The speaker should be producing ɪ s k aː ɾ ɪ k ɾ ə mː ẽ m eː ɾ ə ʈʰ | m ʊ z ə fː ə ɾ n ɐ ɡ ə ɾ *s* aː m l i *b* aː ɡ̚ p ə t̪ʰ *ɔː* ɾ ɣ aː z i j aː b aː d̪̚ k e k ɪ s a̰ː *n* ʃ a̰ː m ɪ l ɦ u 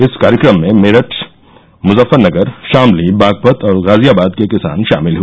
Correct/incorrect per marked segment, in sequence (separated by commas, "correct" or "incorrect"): incorrect, correct, correct, correct